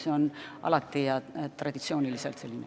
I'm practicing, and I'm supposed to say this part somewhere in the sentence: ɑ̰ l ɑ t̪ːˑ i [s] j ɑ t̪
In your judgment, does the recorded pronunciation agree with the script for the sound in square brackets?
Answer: no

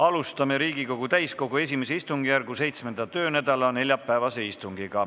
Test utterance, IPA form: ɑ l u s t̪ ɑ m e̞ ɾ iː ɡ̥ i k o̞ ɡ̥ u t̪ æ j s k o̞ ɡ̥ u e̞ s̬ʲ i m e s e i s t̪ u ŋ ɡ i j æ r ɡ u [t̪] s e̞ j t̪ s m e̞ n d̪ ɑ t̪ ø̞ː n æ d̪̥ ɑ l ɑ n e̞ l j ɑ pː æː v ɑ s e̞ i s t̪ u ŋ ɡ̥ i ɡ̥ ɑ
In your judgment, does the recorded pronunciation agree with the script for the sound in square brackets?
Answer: no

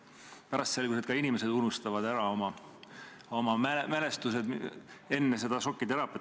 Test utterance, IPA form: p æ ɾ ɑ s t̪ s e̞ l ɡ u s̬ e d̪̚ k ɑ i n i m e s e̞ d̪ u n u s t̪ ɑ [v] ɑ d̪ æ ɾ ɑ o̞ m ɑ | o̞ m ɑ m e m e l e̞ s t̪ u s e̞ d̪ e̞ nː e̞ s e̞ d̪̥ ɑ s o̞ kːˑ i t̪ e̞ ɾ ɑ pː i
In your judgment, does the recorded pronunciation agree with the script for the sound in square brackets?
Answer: yes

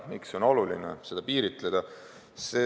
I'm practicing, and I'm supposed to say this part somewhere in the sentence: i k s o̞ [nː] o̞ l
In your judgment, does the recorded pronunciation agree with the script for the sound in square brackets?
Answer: no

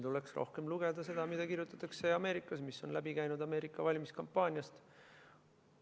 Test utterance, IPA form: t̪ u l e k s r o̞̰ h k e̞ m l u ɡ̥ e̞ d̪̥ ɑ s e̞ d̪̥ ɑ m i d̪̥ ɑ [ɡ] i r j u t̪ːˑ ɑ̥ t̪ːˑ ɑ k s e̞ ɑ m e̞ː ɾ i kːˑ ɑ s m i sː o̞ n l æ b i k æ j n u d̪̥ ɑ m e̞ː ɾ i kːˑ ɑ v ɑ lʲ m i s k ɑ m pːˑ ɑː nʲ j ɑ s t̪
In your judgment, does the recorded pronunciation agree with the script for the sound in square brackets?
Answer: no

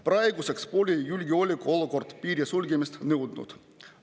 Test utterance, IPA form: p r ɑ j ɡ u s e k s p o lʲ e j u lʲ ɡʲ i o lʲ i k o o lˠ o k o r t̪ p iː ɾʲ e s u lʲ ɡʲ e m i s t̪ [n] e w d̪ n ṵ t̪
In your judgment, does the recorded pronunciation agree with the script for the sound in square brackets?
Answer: yes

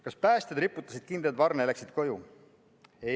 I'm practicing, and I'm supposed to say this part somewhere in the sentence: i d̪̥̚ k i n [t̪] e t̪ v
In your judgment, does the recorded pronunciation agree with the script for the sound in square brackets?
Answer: no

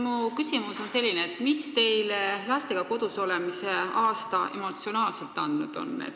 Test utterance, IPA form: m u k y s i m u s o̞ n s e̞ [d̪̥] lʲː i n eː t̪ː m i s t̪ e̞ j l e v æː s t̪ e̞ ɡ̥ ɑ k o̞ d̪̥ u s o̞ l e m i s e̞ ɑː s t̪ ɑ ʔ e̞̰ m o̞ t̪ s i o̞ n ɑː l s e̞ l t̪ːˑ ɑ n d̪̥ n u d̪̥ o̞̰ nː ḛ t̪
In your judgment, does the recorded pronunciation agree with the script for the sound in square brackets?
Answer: no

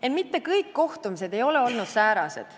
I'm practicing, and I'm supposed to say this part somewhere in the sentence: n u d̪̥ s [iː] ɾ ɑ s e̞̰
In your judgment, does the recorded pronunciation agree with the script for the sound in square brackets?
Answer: no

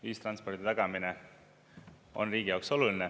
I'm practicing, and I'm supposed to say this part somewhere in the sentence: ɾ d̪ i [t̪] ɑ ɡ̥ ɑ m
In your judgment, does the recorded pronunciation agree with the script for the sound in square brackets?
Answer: yes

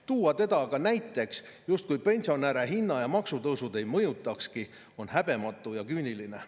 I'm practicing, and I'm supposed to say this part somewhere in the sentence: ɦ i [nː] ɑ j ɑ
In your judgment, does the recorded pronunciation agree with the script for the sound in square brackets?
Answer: yes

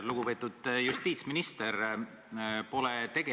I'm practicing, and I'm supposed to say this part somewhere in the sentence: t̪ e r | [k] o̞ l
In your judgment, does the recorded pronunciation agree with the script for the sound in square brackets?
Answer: no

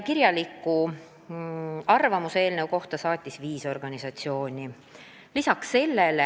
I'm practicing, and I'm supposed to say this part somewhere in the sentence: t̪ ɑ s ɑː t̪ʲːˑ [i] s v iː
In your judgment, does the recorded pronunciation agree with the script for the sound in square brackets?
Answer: yes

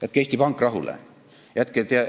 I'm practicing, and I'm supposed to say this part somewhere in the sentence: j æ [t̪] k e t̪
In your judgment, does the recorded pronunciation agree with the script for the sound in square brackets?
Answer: yes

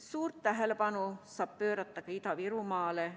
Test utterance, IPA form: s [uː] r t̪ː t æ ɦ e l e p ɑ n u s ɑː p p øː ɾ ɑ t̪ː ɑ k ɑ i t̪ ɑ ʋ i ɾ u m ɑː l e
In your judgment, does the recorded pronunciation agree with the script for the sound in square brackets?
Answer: yes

